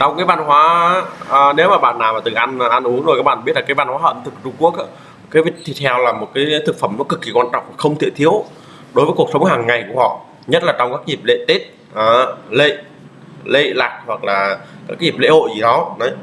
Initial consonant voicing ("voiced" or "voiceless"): voiceless